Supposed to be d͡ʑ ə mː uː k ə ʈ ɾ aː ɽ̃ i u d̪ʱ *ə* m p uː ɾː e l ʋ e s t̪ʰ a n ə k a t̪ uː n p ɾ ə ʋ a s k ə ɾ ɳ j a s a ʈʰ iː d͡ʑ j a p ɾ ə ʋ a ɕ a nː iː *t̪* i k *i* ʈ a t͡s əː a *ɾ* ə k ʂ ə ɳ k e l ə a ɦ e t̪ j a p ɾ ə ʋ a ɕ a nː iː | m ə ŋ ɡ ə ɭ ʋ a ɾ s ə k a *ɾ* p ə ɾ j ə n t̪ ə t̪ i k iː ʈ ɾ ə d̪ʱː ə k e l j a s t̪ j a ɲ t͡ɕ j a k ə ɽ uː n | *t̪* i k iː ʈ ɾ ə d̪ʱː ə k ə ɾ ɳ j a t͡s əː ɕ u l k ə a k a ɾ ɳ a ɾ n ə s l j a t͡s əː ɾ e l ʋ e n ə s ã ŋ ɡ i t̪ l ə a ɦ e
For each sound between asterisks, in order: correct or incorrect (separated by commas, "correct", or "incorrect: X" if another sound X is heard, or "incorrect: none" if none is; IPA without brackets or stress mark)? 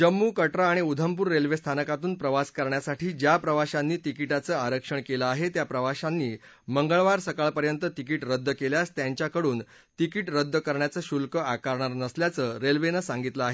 correct, correct, correct, correct, incorrect: ɭ, correct